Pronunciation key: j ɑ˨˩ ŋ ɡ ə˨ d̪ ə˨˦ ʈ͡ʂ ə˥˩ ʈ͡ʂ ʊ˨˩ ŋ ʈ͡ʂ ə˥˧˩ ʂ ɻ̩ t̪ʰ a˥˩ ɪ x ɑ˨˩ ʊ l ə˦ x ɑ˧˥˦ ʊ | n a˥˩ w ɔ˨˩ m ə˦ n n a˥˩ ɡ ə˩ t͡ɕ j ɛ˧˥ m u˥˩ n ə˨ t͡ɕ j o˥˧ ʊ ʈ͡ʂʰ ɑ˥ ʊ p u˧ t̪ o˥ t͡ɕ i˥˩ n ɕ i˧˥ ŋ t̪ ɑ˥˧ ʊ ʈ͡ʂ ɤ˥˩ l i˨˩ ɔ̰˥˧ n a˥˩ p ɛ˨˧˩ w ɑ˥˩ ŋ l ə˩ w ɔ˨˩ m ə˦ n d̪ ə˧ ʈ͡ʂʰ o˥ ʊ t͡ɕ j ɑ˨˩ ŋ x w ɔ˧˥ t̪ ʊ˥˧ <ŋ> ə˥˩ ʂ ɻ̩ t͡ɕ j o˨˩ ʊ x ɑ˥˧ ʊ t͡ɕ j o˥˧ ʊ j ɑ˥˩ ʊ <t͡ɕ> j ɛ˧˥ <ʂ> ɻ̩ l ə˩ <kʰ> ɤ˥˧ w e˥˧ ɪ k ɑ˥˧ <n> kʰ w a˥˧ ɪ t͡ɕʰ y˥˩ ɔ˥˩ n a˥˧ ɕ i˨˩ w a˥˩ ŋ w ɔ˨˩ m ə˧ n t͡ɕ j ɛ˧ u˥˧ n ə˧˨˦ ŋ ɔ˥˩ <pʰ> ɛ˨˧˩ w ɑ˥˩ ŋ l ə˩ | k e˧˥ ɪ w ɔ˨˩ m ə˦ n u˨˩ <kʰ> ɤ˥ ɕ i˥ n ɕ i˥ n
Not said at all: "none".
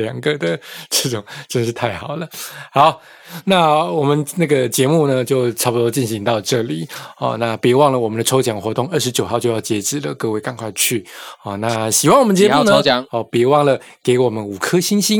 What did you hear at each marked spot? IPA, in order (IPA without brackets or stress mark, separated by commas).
ŋ, t͡ɕ, ʈ͡ʂ, k, ŋ, p, kʰ